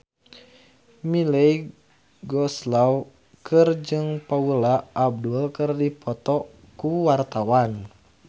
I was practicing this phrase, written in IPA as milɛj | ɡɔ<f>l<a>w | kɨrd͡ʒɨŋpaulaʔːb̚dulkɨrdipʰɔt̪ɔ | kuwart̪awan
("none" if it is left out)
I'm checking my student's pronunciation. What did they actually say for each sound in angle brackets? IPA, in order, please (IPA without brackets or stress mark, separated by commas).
s, a